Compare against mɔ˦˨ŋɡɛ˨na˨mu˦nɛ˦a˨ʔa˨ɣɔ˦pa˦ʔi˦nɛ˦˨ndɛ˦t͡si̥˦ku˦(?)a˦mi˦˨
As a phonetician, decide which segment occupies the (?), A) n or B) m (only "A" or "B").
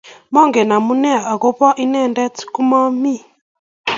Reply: B